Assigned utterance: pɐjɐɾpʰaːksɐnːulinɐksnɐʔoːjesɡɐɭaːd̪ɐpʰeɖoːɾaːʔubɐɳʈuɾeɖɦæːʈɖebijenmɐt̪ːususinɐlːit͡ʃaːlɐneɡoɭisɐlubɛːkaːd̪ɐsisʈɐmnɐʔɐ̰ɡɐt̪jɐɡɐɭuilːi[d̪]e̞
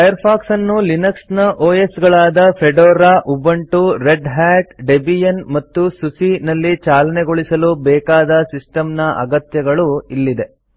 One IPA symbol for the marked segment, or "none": d̪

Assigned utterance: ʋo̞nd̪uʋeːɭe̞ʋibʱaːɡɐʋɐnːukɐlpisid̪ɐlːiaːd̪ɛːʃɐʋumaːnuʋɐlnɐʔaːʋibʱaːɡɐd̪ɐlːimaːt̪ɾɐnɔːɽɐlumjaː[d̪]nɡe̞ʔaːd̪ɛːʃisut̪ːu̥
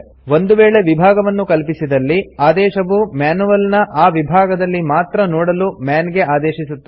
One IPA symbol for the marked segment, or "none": none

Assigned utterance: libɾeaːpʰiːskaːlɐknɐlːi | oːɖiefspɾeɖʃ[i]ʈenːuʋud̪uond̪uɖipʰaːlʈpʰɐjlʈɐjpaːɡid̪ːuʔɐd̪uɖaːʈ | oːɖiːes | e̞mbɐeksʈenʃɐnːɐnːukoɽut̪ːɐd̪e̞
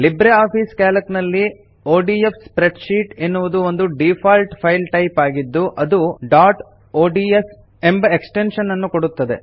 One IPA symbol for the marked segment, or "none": iː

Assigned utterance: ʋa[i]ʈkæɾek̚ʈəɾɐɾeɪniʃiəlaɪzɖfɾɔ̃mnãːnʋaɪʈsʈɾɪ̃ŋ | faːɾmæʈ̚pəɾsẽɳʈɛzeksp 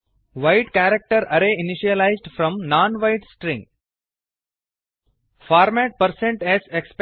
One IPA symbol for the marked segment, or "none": ɪ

